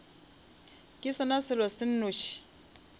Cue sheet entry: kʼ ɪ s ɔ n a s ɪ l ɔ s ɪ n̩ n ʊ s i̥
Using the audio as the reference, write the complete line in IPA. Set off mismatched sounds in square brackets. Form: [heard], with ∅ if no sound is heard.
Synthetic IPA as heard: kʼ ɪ s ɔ n a s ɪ l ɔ s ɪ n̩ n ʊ [ʃ] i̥